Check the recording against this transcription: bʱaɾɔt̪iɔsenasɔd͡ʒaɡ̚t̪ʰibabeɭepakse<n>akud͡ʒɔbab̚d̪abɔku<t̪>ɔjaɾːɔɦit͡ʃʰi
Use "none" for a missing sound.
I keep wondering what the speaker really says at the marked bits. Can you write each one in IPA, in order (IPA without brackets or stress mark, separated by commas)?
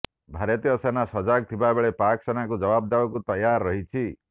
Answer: n, t̪